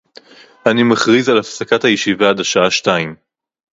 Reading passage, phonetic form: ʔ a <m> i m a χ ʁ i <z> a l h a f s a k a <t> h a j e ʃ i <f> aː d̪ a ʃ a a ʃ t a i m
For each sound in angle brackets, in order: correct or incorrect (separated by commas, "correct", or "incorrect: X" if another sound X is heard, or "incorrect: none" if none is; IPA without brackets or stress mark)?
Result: incorrect: n, correct, correct, incorrect: v